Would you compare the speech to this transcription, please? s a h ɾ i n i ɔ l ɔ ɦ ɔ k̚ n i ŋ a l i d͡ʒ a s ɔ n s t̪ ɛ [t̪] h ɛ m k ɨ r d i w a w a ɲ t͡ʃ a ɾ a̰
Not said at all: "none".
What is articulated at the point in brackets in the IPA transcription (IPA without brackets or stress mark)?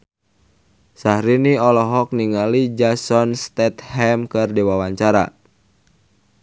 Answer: t̪